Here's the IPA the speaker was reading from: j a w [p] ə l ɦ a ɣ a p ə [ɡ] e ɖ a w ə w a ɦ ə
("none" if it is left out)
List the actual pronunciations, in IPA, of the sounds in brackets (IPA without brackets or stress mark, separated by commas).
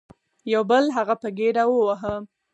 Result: b, ɡ